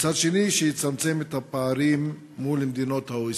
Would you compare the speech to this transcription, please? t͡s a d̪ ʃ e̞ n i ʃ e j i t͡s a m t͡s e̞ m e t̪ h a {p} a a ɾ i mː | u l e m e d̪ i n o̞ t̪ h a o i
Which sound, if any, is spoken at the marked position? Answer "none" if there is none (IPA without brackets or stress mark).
p